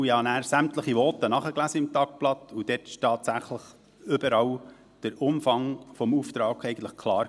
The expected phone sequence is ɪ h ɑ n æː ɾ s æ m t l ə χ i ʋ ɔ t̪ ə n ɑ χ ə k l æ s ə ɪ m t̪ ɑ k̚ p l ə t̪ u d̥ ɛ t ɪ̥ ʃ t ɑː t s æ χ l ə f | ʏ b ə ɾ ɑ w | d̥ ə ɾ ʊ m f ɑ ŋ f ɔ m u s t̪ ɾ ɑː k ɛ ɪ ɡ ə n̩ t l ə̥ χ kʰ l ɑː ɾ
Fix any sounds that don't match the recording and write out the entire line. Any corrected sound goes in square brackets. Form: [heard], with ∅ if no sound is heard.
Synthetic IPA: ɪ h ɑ n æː ɾ s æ m t l ə χ i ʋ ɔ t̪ ə n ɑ χ ə k l æ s ə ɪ m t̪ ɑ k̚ p l [ɑ] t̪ u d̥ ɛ t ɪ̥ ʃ t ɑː t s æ χ l ə [χ] | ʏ b ə ɾ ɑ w | d̥ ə ɾ ʊ m f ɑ ŋ f ɔ m u [f] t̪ ɾ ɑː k ɛ ɪ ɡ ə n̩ t l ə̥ χ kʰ l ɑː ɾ